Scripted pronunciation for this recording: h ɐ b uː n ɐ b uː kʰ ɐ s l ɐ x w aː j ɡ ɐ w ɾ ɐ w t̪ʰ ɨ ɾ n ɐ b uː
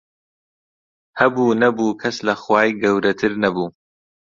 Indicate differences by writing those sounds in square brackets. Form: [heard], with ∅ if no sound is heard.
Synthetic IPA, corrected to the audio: h ɐ b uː n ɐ b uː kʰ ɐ s l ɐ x w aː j ɡ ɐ w ɾ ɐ [∅] t̪ʰ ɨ ɾ n ɐ b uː

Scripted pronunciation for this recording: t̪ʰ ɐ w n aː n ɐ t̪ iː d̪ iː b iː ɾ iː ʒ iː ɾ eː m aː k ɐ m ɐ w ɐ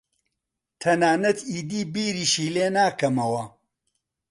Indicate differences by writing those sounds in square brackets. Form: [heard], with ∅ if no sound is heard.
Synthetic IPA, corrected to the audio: t̪ʰ ɐ [∅] n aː n ɐ t̪ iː d̪ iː b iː ɾ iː [ʃ] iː [l] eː [n] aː k ɐ m ɐ w ɐ

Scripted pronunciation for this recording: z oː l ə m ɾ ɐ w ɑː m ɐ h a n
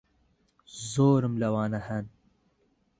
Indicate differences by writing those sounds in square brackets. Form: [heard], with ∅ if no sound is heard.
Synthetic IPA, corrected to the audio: z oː [ɾ] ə m [l] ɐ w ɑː [n] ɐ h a n

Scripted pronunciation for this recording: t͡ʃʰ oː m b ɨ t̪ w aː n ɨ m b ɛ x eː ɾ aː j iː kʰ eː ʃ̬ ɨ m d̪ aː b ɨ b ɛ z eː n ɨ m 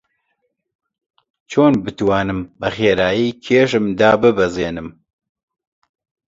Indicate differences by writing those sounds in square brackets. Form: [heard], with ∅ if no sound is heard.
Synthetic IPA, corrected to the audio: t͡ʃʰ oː [n] b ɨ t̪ w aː n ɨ m b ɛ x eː ɾ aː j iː kʰ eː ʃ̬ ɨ m d̪ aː b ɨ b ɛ z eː n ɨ m

